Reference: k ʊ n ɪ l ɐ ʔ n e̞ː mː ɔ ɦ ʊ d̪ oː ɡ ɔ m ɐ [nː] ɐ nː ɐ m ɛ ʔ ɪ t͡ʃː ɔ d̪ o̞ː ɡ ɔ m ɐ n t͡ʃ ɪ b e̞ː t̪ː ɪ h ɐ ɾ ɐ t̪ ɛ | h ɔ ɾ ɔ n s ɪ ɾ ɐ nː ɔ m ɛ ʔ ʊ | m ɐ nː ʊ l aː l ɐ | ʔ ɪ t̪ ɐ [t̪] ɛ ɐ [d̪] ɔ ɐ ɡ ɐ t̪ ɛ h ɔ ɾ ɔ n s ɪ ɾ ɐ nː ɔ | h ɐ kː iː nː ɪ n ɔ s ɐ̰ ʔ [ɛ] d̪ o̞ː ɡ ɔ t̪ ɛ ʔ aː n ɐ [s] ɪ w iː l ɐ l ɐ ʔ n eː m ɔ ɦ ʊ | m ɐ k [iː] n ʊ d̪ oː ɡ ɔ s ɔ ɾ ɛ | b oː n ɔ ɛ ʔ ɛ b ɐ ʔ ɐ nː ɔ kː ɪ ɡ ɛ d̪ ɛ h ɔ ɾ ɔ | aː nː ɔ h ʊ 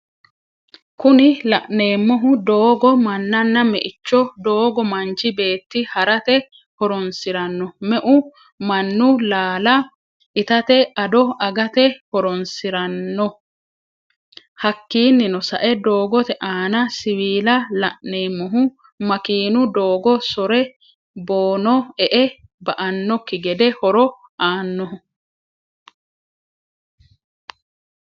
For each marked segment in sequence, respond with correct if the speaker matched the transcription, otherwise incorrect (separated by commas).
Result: correct, correct, correct, correct, correct, correct